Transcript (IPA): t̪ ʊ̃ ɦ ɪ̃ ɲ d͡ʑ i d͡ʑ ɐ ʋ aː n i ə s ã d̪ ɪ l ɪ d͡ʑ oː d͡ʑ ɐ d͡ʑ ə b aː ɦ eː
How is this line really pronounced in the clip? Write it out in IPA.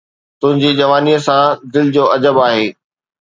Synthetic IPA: t̪ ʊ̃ ɦ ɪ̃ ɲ d͡ʑ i d͡ʑ ɐ ʋ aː n i ə s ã d̪ ɪ l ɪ d͡ʑ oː ɐ d͡ʑ ə b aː ɦ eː